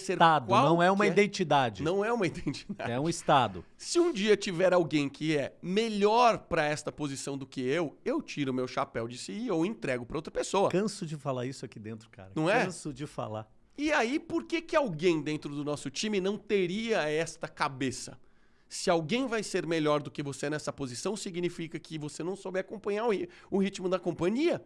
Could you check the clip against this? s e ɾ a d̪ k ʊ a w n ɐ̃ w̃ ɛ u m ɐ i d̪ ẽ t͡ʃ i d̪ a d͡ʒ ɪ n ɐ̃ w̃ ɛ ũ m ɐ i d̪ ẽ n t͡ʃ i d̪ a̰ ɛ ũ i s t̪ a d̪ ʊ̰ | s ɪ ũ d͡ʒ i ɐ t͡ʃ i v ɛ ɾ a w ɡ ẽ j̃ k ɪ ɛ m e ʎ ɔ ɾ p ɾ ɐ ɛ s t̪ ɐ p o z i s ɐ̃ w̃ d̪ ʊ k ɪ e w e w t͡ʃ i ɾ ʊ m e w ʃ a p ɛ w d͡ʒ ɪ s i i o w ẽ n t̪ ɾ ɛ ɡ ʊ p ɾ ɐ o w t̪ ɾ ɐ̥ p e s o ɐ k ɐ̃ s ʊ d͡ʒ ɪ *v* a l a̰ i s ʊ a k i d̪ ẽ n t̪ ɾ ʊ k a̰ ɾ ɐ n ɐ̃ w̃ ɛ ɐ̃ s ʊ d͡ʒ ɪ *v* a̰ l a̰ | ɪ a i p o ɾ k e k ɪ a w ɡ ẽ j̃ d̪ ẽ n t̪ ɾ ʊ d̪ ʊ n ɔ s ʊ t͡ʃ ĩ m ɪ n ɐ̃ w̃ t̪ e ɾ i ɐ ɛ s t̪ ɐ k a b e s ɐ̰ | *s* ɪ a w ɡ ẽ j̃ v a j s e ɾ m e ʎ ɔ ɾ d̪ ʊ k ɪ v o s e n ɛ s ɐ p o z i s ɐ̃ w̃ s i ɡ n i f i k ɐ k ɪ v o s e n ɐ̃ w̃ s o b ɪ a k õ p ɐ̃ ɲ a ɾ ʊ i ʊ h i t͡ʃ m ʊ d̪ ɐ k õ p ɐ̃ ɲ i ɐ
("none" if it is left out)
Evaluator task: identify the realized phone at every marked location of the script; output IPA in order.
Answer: f, f, s

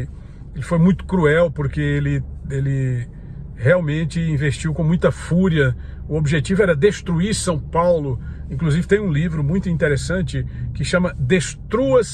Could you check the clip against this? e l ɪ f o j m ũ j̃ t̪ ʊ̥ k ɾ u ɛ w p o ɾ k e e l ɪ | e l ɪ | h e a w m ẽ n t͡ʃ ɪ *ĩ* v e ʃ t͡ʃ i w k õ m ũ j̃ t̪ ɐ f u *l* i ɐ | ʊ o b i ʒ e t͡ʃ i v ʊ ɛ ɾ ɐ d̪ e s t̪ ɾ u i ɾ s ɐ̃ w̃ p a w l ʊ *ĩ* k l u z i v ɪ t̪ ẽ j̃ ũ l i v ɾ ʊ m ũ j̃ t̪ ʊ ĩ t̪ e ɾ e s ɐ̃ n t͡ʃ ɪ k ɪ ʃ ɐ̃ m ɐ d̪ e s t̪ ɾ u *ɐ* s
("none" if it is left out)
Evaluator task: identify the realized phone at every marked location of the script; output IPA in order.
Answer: ĩ, ɾ, ĩ, ɐ

